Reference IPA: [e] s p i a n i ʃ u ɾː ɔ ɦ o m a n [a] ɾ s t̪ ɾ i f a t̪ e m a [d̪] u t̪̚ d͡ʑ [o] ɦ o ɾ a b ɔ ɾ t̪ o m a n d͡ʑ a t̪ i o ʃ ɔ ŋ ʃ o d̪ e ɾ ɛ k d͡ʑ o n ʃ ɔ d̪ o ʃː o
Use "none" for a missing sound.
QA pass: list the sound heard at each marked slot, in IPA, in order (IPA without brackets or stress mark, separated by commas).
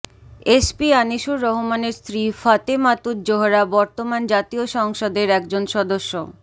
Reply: e, e, t̪, o